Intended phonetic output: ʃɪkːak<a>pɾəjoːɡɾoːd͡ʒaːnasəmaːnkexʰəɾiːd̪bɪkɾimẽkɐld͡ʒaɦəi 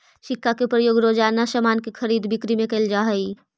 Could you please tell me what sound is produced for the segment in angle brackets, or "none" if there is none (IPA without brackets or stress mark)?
e